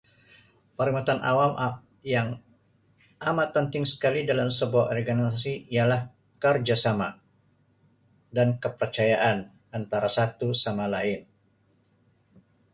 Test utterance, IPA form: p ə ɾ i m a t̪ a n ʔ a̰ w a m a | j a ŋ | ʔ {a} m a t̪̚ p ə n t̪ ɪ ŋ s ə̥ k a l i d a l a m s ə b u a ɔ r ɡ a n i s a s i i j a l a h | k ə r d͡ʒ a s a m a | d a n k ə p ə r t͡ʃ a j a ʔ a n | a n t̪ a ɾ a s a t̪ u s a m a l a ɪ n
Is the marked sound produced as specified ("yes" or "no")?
yes